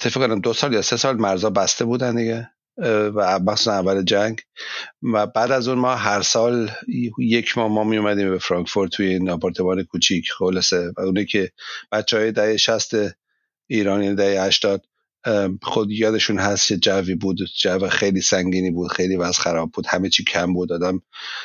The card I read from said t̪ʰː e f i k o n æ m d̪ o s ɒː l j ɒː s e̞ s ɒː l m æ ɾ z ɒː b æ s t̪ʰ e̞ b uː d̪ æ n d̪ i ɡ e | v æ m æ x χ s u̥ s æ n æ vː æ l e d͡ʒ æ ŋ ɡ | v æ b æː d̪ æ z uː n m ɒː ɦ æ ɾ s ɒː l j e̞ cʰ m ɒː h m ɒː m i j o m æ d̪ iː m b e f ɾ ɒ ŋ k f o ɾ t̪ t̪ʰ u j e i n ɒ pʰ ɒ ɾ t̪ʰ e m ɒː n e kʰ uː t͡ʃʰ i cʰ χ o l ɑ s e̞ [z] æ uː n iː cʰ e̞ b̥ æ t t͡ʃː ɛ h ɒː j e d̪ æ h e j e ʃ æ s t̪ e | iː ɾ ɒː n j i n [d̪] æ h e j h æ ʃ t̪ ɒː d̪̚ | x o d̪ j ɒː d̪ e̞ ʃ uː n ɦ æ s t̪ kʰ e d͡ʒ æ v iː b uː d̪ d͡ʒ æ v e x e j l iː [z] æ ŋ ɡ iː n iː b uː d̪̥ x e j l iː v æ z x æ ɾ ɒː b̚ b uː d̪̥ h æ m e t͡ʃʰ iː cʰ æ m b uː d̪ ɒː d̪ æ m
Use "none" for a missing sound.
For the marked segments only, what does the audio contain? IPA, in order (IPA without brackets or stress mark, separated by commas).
v, d̪, s